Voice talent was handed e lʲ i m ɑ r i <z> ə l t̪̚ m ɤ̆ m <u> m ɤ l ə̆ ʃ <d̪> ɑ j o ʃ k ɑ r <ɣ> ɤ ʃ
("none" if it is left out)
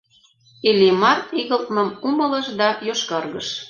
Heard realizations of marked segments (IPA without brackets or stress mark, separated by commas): ɣ, u, d̪, ɣ